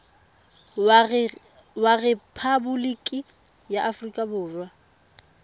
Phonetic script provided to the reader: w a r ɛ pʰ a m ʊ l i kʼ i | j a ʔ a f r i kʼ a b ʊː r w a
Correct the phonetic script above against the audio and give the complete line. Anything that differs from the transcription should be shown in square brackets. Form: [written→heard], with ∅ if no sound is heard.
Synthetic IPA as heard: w a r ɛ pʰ a [m→b] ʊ l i kʼ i | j a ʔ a f r i kʼ a b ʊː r w a